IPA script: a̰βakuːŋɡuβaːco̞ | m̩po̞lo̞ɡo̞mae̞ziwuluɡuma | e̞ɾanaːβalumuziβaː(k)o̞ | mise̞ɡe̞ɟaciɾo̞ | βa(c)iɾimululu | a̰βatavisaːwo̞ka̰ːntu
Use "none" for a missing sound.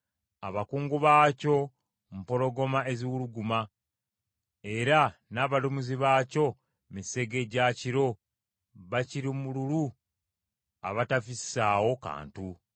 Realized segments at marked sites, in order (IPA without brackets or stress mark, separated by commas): c, c